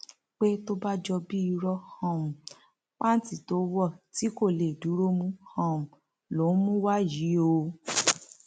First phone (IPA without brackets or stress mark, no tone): k͡p